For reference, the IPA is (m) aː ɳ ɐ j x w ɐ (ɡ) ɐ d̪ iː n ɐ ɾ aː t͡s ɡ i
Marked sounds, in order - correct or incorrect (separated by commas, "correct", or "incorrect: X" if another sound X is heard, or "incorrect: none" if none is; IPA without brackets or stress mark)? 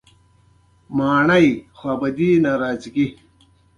correct, incorrect: b